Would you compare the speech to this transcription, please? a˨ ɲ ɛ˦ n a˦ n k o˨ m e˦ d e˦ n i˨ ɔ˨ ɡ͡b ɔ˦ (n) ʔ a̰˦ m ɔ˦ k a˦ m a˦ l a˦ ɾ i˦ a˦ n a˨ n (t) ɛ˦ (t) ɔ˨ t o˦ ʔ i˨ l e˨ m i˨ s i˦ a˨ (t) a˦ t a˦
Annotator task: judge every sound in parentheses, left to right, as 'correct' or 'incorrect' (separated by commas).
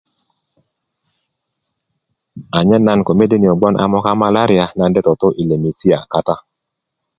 correct, incorrect, correct, incorrect